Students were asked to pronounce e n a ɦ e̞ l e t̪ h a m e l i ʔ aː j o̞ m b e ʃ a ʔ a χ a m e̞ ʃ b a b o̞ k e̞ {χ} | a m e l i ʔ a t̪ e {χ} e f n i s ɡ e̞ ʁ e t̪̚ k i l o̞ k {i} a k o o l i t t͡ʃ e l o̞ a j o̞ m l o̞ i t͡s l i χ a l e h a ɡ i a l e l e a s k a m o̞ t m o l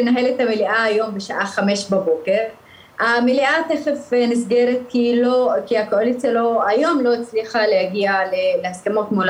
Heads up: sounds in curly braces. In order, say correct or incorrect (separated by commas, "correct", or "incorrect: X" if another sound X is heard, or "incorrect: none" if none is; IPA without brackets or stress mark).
incorrect: ʁ, correct, correct